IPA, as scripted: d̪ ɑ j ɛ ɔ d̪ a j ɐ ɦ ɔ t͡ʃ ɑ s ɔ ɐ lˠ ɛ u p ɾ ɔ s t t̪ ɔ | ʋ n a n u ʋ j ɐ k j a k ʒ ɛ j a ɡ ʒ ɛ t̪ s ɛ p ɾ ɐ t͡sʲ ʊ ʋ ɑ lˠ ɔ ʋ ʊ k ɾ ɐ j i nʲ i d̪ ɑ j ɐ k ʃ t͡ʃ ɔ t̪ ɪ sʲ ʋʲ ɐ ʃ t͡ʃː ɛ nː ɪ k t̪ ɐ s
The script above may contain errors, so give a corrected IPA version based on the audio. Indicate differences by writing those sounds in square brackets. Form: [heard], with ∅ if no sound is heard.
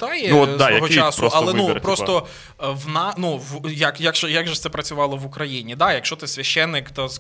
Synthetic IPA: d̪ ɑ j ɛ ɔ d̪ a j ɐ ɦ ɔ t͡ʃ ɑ s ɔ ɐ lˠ ɛ u p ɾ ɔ s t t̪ ɔ | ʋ n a n u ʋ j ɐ k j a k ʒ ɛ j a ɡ ʒ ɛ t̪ s ɛ p ɾ ɐ t͡sʲ ʊ ʋ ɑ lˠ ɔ ʋ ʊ k ɾ ɐ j i nʲ i d̪ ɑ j ɐ k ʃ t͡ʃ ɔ t̪ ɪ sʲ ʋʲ ɐ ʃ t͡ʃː ɛ nː ɪ k t̪ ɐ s